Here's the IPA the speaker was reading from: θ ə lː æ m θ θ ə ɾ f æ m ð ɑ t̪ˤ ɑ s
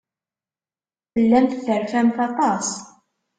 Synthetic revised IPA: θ ə lː æ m θ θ ə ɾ f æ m θ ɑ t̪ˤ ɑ s